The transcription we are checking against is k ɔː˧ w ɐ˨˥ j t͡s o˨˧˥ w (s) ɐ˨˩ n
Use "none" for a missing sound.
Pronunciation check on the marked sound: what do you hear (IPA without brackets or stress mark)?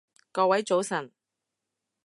s